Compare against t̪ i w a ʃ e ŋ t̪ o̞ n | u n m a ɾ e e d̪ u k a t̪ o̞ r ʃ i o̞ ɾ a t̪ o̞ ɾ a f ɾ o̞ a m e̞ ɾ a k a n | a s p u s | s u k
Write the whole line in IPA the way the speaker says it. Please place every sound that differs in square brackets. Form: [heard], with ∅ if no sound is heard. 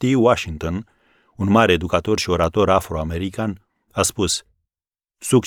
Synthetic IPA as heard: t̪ i w a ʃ [i] ŋ t̪ o̞ n | u n m a ɾ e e d̪ u k a t̪ o̞ r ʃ i o̞ ɾ a t̪ o̞ ɾ a f ɾ o̞ a m e̞ ɾ [i] k a n | a s p u s | s u k